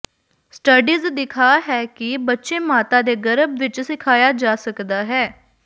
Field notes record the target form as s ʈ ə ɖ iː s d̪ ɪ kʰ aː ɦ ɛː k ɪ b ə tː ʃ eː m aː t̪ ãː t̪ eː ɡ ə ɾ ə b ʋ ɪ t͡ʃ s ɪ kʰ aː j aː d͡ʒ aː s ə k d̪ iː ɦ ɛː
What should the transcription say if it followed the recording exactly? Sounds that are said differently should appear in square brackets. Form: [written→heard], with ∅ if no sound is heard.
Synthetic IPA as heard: s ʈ ə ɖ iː [s→z] d̪ ɪ kʰ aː ɦ ɛː k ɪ b ə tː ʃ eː m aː t̪ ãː [t̪→d̪] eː ɡ ə ɾ ə b ʋ ɪ t͡ʃ s ɪ kʰ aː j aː d͡ʒ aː s ə k d̪ [iː→aː] ɦ ɛː